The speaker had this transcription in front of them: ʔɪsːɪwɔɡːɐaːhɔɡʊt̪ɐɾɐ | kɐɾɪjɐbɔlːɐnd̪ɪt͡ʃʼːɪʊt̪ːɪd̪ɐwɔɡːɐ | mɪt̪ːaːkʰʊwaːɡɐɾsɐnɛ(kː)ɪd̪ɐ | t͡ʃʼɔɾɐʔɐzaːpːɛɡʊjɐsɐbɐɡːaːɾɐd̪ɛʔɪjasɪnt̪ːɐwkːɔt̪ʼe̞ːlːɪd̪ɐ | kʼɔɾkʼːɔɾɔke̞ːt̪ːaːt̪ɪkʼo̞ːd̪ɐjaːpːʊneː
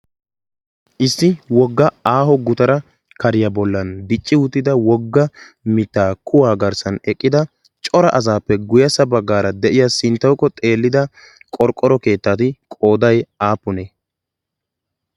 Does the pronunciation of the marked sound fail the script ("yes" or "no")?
yes